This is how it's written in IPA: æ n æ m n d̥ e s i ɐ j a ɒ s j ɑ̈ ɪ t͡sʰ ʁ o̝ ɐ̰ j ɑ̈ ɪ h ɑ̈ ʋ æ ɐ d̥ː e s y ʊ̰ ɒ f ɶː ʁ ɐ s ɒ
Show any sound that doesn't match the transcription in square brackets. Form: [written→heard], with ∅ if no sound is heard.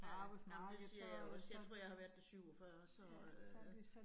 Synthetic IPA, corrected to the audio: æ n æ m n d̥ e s i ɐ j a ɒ s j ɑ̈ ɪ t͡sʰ ʁ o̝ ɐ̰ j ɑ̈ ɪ h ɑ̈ ʋ æ ɐ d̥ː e s y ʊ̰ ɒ f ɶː [ʁ→∅] ɐ s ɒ

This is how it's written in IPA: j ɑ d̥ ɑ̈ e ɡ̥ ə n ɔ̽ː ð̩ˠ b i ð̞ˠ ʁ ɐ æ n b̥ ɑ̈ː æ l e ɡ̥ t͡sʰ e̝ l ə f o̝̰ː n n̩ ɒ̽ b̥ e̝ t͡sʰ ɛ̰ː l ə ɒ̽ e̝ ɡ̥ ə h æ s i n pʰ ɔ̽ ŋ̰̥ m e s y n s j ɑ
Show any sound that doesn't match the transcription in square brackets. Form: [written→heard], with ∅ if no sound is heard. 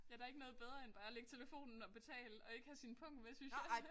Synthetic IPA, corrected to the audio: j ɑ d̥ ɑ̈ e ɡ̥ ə n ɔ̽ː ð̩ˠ b [i→e] ð̞ˠ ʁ ɐ [æ→e] n b̥ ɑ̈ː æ l e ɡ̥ t͡sʰ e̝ l ə f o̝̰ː n n̩ ɒ̽ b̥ e̝ t͡sʰ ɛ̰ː l ə ɒ̽ e̝ ɡ̥ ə h æ s i n pʰ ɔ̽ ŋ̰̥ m e s y n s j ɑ

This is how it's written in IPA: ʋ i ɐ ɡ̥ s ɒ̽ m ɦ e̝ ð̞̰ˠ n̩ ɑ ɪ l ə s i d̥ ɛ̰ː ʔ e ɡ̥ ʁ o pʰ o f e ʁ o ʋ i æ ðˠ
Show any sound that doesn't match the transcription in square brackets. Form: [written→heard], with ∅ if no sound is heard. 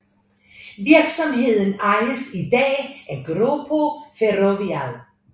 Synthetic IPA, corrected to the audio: ʋ i ɐ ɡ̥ s ɒ̽ m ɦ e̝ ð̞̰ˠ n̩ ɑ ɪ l ə s i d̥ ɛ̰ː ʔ [e→æ] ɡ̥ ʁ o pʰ o f e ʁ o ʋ i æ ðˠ

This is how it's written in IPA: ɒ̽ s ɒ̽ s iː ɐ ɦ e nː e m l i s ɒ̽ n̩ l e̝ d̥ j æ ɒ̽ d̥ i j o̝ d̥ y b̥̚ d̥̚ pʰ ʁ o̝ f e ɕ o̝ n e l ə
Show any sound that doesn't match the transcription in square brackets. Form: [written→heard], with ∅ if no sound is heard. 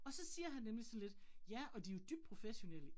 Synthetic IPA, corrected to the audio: ɒ̽ s ɒ̽ s iː ɐ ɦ [e→æ] nː e m l i s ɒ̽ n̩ l e̝ d̥ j æ ɒ̽ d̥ i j o̝ d̥ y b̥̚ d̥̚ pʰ ʁ o̝ f e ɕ o̝ n e l ə

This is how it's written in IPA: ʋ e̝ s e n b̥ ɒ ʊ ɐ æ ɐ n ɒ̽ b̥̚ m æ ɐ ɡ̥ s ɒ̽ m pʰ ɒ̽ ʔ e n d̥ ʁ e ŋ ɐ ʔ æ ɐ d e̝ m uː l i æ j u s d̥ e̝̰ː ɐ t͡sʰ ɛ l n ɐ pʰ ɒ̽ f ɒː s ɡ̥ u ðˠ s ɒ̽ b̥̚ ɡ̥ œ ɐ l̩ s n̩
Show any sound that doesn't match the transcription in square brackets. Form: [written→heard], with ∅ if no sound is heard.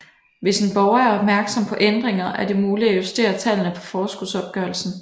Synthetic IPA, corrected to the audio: ʋ e̝ s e n b̥ ɒ ʊ ɐ æ ɐ [n→∅] ɒ̽ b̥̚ m æ ɐ ɡ̥ s ɒ̽ m pʰ ɒ̽ ʔ e n d̥ ʁ e ŋ ɐ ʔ æ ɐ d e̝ m uː l i æ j u s d̥ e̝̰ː ɐ t͡sʰ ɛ l n [ɐ→ə] pʰ ɒ̽ f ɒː s ɡ̥ u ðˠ s ɒ̽ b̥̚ ɡ̥ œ ɐ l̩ s n̩

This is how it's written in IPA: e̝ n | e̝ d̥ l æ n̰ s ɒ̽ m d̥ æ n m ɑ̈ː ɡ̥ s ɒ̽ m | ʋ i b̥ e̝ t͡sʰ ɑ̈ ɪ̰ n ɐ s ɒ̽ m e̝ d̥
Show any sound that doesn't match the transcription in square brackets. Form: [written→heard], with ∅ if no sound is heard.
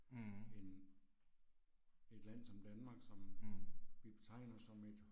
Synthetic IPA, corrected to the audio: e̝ n | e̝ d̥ l æ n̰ s ɒ̽ m d̥ æ n m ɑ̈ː ɡ̥ s ɒ̽ m | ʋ i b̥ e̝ t͡sʰ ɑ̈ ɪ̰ n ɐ s ɒ̽ m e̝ d̥

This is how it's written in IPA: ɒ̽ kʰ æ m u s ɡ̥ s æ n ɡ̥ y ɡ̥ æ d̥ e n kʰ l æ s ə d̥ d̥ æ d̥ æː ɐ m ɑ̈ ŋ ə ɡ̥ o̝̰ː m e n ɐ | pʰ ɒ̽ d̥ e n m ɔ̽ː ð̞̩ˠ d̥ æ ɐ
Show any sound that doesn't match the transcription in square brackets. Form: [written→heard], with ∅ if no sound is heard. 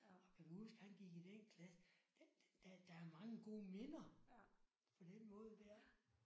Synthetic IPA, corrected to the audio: ɒ̽ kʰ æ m u s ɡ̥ [s→h] æ n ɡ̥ [y→i] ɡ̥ [æ→i] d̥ e n kʰ l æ s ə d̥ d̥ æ d̥ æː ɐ m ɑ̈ ŋ ə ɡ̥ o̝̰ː m e n ɐ | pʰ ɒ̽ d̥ e n m ɔ̽ː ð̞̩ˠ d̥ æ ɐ

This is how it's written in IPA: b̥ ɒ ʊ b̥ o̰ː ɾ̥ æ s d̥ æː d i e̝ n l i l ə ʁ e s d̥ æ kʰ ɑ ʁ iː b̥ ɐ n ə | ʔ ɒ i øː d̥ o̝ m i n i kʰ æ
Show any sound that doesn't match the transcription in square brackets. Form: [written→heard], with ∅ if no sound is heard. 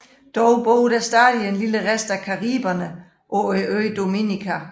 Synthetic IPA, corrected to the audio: [b̥→d̥] ɒ ʊ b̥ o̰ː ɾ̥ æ s d̥ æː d i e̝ n l i l ə ʁ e s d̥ æ kʰ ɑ ʁ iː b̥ ɐ n ə | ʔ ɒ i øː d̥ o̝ m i n i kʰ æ

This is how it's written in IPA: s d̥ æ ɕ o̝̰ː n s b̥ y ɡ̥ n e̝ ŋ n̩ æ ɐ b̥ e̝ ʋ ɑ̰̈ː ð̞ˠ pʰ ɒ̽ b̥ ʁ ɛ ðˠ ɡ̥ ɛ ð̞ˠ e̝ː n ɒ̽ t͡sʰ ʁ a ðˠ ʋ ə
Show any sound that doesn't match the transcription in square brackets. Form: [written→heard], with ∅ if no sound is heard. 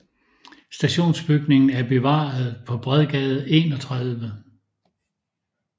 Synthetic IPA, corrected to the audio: s d̥ æ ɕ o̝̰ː n s b̥ y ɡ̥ n e̝ ŋ n̩ æ ɐ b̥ e̝ ʋ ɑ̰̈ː ð̞ˠ pʰ ɒ̽ b̥ ʁ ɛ ðˠ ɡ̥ ɛ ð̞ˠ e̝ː n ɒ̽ t͡sʰ ʁ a ðˠ ʋ ə

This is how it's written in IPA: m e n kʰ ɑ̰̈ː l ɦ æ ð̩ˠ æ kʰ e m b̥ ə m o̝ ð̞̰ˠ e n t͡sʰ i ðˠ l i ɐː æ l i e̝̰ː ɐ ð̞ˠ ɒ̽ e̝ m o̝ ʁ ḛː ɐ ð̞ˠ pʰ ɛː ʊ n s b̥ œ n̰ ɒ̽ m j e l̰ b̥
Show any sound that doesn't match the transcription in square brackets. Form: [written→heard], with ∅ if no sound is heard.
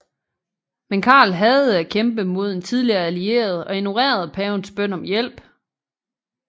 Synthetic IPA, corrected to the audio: m e n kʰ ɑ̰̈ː l ɦ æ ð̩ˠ æ kʰ e m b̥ ə m o̝ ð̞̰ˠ e n t͡sʰ i ðˠ l i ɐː æ l i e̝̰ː ɐ ð̞ˠ ɒ̽ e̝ [m→n] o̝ ʁ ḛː ɐ ð̞ˠ pʰ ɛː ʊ n s b̥ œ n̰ ɒ̽ m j e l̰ b̥

